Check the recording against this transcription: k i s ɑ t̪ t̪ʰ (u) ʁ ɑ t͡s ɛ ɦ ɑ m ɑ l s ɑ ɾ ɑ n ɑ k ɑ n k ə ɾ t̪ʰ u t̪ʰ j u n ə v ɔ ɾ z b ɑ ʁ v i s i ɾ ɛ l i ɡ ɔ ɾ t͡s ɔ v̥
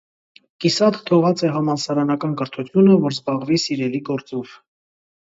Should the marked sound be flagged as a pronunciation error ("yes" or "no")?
yes